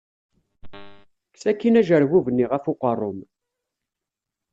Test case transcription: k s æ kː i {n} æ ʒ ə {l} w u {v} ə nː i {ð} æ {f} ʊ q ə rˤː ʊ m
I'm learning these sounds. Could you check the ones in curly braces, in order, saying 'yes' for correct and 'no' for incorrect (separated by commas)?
yes, no, yes, no, yes